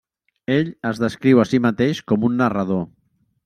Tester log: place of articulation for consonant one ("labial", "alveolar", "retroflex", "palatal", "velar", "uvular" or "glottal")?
palatal